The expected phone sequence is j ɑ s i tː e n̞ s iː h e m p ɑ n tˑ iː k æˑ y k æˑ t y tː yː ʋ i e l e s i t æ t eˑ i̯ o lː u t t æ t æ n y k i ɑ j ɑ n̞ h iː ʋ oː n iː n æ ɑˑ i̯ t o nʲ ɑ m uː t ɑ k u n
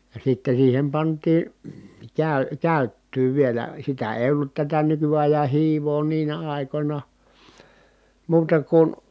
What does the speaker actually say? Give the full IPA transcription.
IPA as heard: j ɑ s i tː e n̞ s iː h e m p ɑ n tˑ iː k æˑ y k æˑ y tː yː ʋ i e l æ s i t æ eˑ i̯ o lː u t t æ t æ n y k y ɑ j ɑ n̞ h iː ʋ oː n iː n æ ɑˑ i̯ k o nʲ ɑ m uː t ɑ k u n